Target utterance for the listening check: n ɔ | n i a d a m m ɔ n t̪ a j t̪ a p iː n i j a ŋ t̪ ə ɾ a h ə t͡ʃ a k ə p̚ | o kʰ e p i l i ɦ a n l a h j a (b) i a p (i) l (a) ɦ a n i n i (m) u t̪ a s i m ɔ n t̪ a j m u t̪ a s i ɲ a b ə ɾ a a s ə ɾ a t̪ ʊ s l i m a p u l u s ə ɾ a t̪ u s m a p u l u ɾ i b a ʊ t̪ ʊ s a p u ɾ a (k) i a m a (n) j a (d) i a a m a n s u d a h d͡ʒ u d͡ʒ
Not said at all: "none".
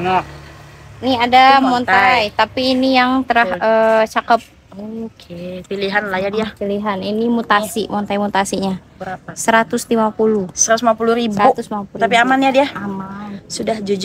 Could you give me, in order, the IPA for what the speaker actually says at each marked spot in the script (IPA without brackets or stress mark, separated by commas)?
d, i, i, m, p, n, d